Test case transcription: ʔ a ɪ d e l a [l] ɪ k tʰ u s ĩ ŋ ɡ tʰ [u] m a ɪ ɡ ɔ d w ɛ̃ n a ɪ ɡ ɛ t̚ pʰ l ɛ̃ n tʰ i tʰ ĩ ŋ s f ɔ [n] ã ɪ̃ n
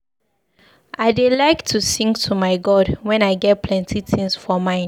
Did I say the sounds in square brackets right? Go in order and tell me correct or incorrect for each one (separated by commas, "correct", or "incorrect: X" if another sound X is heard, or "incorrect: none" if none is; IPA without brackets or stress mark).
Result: incorrect: none, correct, incorrect: m